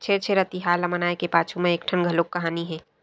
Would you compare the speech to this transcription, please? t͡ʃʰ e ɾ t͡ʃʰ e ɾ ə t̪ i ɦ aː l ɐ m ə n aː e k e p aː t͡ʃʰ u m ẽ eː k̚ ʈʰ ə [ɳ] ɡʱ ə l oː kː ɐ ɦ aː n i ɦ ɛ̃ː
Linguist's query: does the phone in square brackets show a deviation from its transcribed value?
yes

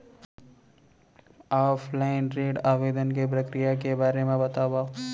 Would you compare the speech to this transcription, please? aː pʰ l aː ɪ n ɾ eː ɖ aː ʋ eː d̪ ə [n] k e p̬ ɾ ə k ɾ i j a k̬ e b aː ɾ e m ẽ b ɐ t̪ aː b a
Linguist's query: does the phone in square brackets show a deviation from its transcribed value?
no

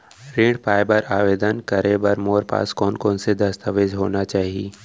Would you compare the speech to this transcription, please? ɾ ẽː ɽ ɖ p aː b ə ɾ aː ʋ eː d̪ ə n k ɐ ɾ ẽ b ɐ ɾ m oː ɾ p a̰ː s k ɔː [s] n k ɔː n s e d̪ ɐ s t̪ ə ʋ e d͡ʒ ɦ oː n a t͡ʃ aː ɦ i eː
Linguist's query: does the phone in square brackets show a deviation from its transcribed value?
yes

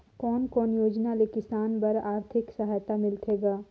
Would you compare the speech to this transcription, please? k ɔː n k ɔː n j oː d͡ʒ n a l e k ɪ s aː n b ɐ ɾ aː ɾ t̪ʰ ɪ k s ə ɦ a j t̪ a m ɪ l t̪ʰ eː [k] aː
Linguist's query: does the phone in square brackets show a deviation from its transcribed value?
yes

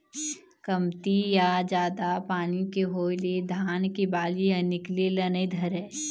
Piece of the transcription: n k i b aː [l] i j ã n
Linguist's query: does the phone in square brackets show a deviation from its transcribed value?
no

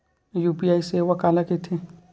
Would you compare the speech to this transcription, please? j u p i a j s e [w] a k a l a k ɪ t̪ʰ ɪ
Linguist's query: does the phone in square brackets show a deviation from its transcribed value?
no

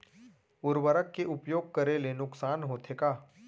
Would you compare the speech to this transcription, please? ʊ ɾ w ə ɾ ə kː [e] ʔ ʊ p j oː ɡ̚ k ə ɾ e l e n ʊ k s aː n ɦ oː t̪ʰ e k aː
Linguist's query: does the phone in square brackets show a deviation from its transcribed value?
no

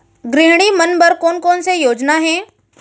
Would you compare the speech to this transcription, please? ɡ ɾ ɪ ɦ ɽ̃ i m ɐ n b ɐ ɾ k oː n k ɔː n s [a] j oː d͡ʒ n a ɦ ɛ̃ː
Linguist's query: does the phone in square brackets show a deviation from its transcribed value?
yes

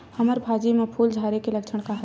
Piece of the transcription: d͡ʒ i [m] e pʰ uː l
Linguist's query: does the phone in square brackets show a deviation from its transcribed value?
no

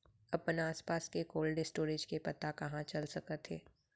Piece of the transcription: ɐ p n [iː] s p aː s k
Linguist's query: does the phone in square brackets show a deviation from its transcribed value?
yes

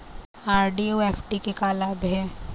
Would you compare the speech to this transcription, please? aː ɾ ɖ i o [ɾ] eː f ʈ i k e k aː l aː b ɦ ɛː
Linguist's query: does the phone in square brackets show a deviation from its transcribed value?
yes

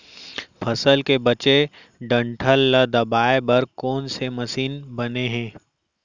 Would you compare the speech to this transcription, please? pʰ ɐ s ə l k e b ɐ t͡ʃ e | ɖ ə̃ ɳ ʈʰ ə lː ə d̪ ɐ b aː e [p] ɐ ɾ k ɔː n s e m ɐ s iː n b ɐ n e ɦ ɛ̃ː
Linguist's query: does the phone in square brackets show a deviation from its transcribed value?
yes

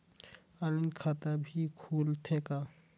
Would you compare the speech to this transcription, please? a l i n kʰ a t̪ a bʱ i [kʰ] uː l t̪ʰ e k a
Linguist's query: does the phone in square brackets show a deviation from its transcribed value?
no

